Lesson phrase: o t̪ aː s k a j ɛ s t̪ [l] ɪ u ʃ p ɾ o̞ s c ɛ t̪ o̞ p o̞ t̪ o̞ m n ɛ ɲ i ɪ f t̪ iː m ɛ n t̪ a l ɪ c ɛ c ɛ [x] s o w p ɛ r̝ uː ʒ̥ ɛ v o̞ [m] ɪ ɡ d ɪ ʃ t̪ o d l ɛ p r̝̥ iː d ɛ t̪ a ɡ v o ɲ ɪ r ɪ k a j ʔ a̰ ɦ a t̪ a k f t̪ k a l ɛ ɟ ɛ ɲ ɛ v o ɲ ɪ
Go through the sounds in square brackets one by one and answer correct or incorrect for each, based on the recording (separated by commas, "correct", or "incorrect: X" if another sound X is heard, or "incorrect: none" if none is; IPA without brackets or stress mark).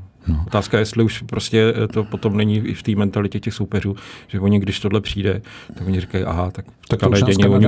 correct, correct, incorrect: ɲ